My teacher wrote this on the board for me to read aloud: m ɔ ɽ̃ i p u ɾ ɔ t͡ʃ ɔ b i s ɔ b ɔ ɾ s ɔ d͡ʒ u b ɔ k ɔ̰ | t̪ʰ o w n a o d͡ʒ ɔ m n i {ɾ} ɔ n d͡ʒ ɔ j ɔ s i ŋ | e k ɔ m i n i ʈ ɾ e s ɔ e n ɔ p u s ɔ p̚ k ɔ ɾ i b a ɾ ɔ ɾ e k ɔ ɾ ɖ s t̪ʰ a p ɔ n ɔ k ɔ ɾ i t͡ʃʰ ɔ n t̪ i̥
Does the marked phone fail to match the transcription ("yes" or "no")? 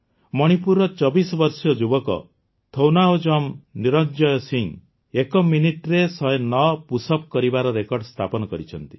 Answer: no